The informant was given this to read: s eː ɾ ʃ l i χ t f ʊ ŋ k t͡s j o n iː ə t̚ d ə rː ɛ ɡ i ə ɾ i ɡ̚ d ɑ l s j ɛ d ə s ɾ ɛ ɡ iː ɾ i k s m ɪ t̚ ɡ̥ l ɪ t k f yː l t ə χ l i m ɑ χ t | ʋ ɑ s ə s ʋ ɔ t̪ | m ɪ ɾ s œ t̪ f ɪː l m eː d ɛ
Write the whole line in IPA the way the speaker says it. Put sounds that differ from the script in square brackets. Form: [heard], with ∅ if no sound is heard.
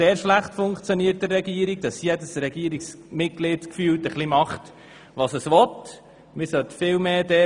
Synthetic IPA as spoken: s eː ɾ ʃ l [æ] χ t f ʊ ŋ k t͡s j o n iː ə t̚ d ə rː ɛ ɡ i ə ɾ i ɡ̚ d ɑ [∅] s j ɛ d ə s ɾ ɛ ɡ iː ɾ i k s m ɪ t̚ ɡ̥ l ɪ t k f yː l t ə χ l i m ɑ χ t | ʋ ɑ s ə s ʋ ɔ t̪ | m ɪ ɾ s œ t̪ f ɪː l m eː d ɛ